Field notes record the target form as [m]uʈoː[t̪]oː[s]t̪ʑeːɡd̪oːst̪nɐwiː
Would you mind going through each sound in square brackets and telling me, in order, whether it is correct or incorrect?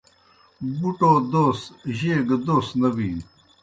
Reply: incorrect, incorrect, correct

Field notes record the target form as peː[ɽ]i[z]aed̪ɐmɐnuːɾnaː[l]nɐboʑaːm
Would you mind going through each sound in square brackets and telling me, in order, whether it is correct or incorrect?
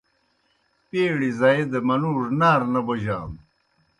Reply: correct, correct, incorrect

